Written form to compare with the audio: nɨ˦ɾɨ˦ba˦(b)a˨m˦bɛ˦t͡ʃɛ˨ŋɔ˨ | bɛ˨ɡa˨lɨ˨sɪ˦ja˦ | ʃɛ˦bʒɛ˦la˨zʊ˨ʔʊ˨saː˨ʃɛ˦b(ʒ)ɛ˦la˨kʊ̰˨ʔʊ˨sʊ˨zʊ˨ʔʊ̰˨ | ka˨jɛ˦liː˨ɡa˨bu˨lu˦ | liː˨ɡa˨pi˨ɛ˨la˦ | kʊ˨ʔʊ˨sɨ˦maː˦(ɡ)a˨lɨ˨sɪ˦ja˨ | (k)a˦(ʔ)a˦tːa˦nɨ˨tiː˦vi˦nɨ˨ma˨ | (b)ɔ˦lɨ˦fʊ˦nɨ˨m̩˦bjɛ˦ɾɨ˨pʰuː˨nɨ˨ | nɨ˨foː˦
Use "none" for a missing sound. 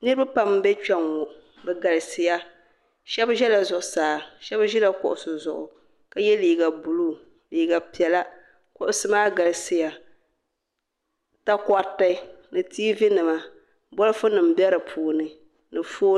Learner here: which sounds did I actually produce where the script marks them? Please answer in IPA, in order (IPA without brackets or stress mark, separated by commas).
p, ʒ, ɡ, t, k, b